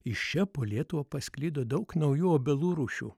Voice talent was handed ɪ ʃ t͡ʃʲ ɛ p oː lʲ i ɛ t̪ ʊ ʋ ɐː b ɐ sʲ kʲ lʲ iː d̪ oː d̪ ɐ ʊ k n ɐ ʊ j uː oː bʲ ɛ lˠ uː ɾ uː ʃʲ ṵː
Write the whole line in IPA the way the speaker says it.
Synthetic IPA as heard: ɪ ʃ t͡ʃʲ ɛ p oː lʲ i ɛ t̪ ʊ ʋ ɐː p ɐ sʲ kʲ lʲ iː d̪ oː d̪ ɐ ʊ k n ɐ ʊ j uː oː bʲ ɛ lˠ uː ɾ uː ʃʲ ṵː